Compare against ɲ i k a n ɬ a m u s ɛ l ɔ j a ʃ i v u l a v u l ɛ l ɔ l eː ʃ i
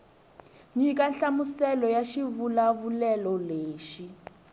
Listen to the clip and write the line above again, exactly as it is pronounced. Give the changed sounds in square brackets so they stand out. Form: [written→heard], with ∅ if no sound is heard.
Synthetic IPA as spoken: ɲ i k a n ɬ a m u s ɛ l ɔ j a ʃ i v u l a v u l ɛ l ɔ l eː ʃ i